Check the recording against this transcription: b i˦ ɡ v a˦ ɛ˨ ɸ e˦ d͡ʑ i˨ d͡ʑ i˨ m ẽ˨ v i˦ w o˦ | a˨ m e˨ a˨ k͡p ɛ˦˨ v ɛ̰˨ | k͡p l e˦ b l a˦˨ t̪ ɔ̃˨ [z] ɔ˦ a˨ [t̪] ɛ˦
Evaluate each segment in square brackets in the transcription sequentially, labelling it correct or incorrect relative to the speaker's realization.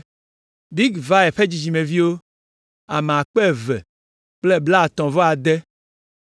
incorrect: v, incorrect: d̪

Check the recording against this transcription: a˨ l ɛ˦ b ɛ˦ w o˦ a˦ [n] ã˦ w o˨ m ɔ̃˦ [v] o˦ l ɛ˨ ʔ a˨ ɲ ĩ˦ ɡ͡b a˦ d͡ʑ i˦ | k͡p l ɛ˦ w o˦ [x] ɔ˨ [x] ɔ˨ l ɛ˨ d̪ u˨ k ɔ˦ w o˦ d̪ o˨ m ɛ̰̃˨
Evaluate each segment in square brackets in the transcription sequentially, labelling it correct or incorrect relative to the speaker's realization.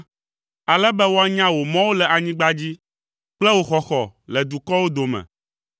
incorrect: ɲ, incorrect: w, correct, correct

